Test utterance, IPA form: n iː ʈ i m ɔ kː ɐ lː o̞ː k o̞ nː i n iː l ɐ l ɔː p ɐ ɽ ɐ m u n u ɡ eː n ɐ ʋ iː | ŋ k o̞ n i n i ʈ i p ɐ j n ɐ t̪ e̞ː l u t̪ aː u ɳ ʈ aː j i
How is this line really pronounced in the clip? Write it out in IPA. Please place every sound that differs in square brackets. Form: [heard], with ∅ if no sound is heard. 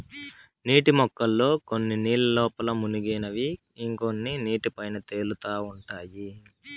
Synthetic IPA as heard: n iː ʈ i m ɔ kː ɐ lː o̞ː k o̞ nː i n iː l ɐ l ɔː p ɐ [l] ɐ m u n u ɡ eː n ɐ ʋ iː | ŋ k o̞ [nː] i n [iː] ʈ i p ɐ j n ɐ t̪ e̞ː l u t̪ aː u ɳ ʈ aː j i